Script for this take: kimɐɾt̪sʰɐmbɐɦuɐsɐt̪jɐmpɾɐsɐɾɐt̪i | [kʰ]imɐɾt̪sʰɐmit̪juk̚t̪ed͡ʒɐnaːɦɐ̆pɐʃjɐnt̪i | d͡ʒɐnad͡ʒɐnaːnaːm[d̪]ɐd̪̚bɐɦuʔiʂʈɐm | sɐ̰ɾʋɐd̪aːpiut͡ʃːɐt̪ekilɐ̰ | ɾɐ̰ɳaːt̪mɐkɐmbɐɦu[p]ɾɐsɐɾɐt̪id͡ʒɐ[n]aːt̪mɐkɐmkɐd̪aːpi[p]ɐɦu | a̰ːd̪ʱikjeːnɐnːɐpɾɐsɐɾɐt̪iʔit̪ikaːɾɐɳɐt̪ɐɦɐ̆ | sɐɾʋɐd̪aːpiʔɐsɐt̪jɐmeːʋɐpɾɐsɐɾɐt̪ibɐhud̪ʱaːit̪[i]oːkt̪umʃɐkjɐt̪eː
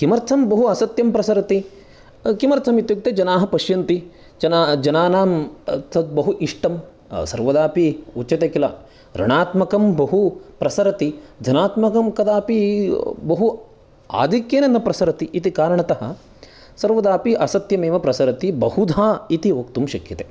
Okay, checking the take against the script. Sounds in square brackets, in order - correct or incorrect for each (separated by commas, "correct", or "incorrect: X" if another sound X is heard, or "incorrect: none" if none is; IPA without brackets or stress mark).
incorrect: k, incorrect: t̪, correct, correct, incorrect: b, correct